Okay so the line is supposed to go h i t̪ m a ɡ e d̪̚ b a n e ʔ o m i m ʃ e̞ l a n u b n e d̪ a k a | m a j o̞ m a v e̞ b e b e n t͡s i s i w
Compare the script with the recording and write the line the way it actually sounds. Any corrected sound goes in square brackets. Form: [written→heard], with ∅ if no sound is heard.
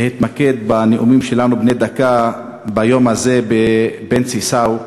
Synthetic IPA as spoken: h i t̪ m a [ɡ→k] e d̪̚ b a n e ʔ [o→u] m i m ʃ e̞ l a n u b n e d̪ a k a | [m→b] a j o̞ m a [v→z] e̞ b e b e n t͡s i s [i→a] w